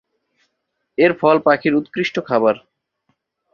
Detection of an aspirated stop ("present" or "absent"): present